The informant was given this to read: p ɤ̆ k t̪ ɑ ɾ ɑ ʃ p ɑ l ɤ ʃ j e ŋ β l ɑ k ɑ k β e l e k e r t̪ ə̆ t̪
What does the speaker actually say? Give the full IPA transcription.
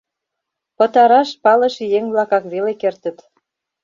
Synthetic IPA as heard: p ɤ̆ t̪ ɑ ɾ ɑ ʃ p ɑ l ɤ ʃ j e ŋ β l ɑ k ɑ k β e l e k e r t̪ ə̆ t̪